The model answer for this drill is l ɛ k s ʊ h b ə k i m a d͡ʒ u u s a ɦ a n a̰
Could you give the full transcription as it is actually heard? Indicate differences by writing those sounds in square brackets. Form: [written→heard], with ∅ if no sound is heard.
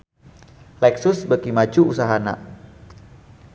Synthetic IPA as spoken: l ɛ k s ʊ [h→s] b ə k i m a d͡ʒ u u s a ɦ a n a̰